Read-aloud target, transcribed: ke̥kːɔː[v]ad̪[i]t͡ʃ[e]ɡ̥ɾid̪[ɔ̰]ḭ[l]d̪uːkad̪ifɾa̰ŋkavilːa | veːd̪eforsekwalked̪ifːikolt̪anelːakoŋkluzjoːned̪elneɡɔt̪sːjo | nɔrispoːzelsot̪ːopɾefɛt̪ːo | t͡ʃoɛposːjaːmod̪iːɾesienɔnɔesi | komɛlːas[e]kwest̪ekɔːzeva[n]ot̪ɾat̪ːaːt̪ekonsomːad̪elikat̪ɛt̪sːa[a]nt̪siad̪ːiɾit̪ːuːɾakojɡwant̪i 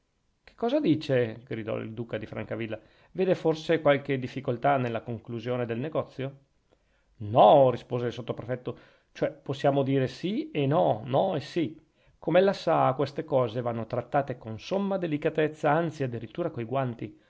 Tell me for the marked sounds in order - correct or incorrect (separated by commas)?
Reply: incorrect, incorrect, correct, correct, correct, incorrect, incorrect, correct